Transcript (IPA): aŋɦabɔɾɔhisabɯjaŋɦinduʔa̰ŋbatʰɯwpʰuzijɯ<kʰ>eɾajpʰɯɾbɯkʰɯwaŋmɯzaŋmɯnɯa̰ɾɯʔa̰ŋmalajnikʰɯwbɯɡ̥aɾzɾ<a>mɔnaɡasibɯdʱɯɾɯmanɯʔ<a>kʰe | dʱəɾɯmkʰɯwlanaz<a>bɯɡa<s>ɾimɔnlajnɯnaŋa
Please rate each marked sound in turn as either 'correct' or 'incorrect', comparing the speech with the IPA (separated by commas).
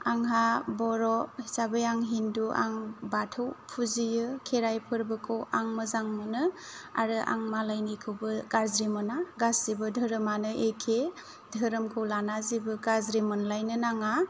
correct, incorrect, incorrect, incorrect, incorrect